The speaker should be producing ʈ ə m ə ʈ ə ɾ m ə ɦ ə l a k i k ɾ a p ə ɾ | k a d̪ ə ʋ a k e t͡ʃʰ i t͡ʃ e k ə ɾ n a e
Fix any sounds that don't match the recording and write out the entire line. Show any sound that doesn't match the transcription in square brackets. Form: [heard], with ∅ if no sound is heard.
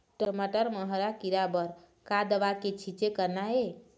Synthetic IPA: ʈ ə m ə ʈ ə ɾ m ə ɦ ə [ɾ] a k i [∅] ɾ a [b] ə ɾ | k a d̪ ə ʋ a k e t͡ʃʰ i t͡ʃ e k ə ɾ n a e